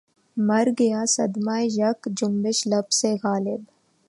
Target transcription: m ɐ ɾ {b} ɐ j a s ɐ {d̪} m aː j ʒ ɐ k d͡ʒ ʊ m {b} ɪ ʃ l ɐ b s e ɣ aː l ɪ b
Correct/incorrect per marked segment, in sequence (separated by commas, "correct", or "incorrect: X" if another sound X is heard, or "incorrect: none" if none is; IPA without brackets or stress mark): incorrect: ɡ, correct, correct